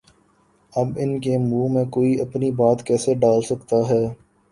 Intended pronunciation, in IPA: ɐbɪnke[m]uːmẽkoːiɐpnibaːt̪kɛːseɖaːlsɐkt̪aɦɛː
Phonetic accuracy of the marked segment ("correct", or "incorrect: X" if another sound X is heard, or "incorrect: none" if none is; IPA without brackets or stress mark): correct